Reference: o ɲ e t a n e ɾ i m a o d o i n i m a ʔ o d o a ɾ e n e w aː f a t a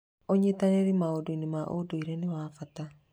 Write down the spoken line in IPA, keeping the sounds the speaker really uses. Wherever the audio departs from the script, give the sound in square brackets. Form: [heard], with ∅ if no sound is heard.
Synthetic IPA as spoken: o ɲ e t a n e ɾ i m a o d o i n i m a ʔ o d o [i] ɾ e n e w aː f a t a